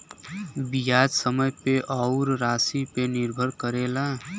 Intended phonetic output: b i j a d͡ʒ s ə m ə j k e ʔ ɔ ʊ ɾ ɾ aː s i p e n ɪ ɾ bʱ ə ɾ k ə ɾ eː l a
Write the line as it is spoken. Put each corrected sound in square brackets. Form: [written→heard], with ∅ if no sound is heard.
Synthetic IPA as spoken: b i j a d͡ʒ s ə m ə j [k→p] e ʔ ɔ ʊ ɾ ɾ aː s i p e n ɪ ɾ bʱ ə ɾ k ə ɾ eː l a